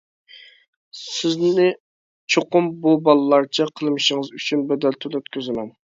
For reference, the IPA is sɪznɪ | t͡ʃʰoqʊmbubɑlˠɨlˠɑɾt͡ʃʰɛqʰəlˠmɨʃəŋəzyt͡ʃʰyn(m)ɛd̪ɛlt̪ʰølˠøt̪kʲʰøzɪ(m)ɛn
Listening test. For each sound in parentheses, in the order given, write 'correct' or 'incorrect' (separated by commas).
incorrect, correct